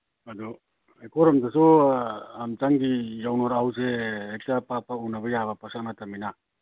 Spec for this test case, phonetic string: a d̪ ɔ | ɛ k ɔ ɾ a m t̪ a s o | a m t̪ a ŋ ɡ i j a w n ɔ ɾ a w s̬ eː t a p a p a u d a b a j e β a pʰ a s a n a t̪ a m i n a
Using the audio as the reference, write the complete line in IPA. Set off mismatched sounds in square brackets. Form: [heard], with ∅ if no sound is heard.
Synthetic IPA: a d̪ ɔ | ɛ k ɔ ɾ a m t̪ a s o | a m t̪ a ŋ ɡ i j a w n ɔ ɾ a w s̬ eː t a p a p a u [n] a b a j [a] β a [p] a s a n a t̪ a m i n a